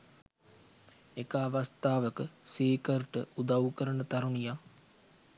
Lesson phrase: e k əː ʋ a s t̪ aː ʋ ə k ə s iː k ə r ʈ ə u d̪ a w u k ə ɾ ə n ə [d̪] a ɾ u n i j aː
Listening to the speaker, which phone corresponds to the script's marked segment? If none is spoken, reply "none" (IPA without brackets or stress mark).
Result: t̪